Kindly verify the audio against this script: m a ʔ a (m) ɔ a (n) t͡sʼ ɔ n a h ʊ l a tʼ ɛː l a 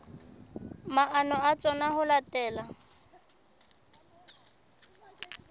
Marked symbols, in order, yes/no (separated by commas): no, no